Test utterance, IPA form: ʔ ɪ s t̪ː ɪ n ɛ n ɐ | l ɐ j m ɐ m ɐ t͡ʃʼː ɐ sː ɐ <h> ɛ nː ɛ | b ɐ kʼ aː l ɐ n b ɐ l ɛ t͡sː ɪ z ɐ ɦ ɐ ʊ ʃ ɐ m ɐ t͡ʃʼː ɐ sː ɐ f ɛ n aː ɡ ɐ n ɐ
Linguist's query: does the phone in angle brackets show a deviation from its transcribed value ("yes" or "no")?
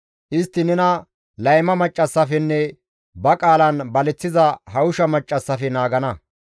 yes